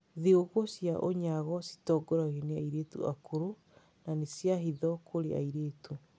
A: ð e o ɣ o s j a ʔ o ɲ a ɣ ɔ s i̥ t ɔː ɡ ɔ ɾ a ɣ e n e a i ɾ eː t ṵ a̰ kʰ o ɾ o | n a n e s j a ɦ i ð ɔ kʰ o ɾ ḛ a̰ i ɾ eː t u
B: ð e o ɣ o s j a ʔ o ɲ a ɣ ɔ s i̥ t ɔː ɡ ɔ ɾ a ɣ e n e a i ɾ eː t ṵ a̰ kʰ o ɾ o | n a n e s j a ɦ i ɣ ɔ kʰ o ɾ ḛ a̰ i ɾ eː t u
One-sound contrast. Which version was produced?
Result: A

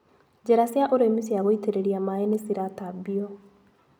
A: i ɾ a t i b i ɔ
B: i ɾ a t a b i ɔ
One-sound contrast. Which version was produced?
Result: B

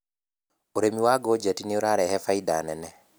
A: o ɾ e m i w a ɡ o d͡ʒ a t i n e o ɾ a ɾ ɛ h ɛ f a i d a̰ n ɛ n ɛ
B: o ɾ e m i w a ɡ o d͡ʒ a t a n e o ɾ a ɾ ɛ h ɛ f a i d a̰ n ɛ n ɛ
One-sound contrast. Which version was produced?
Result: A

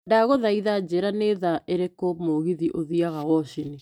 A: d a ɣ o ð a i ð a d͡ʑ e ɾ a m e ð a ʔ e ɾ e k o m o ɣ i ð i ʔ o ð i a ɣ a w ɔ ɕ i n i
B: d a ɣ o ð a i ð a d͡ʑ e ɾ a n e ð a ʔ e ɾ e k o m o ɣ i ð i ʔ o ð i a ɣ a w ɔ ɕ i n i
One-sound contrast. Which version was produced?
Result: B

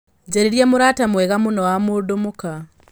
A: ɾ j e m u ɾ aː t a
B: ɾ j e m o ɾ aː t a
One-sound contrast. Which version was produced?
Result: A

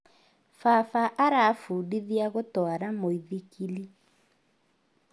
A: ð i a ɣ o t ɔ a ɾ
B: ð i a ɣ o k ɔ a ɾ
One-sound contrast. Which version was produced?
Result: A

